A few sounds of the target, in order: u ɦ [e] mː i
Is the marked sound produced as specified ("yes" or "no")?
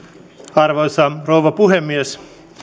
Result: yes